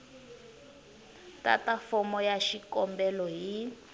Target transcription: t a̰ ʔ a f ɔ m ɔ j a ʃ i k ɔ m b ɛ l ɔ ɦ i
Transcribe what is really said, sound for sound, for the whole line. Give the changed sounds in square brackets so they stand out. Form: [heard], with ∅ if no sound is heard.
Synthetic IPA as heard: t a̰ [t] a f ɔ m ɔ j a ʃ i k ɔ m b ɛ l ɔ ɦ i